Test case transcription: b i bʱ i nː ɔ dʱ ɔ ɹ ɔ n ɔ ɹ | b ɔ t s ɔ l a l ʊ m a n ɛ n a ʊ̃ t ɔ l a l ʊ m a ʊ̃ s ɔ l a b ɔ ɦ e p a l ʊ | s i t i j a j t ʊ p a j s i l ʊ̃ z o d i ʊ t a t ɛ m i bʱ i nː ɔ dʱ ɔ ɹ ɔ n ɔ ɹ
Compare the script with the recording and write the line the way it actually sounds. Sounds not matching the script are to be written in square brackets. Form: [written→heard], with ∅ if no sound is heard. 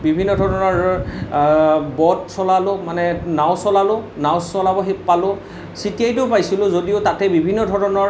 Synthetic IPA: b i bʱ i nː ɔ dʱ ɔ ɹ ɔ n ɔ ɹ | b ɔ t s ɔ l a l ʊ m a n ɛ n a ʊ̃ [t→s] ɔ l a l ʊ [m→n] a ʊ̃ s ɔ l a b ɔ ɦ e p a l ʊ | s i t i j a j t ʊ p a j s i l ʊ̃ z o d i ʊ t a t ɛ [m→b] i bʱ i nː ɔ dʱ ɔ ɹ ɔ n ɔ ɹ